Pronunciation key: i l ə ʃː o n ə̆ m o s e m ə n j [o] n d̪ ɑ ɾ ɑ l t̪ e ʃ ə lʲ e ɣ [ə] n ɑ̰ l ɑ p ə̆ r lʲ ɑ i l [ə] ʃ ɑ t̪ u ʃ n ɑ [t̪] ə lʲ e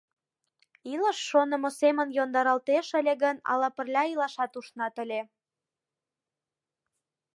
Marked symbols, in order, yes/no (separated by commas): yes, yes, no, yes